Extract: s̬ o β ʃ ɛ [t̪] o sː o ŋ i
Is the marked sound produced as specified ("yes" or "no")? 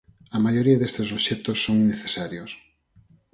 yes